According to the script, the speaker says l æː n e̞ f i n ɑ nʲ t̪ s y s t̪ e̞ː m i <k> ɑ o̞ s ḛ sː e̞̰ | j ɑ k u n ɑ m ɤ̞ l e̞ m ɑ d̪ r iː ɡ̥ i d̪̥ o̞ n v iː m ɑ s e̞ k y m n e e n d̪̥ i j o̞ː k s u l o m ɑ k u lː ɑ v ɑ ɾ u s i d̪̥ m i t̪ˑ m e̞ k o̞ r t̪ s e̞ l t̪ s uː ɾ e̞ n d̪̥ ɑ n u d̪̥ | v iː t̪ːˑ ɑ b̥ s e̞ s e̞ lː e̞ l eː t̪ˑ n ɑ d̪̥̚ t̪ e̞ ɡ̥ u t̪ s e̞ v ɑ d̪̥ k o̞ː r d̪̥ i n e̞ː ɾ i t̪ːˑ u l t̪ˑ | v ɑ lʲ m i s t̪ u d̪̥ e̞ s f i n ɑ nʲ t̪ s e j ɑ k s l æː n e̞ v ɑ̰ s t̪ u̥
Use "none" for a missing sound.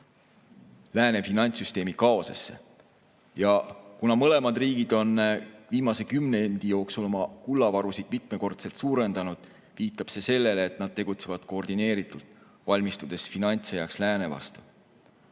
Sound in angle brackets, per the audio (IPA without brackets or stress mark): k